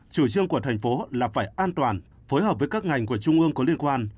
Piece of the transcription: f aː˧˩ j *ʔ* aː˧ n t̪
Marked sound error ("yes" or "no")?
no